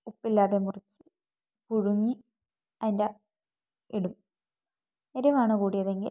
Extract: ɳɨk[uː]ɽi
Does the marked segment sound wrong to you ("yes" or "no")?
no